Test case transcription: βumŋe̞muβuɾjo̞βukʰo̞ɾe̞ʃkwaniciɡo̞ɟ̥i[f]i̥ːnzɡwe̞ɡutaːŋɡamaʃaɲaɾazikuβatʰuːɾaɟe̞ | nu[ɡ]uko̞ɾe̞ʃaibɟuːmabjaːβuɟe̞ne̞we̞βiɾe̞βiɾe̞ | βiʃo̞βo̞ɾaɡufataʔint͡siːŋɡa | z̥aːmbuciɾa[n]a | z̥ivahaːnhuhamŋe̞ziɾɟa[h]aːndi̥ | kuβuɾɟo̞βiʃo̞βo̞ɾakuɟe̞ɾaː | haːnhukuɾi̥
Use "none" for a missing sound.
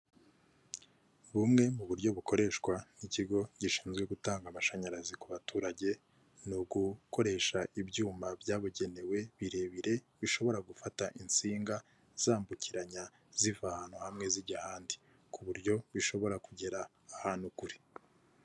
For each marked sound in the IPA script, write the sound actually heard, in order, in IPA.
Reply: ʃ, ɡ, ɲ, h

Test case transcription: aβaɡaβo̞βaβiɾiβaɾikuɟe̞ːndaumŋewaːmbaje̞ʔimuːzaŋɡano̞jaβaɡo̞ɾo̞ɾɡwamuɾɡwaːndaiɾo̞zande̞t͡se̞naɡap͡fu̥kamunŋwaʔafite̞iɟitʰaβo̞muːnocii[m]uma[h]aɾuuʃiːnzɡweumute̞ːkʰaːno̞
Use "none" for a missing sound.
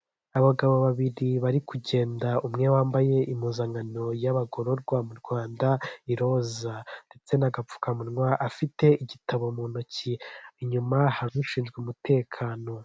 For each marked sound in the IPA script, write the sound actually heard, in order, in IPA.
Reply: ɲ, h

